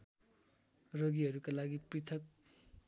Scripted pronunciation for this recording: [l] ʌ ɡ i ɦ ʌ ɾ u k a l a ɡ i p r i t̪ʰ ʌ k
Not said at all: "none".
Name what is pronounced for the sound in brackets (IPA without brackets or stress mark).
r